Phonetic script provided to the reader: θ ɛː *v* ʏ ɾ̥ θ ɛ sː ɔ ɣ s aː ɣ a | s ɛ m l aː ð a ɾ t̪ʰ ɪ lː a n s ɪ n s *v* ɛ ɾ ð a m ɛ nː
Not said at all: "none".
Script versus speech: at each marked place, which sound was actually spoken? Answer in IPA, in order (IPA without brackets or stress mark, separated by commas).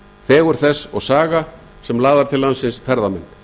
ɣ, f